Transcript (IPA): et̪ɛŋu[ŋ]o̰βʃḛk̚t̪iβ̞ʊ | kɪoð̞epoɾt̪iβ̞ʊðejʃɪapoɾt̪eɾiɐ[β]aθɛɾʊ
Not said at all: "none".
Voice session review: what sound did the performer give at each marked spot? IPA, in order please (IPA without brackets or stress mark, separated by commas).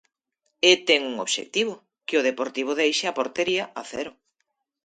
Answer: ŋ, none